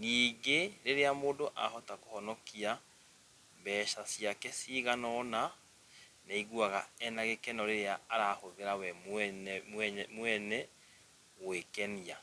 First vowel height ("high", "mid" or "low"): high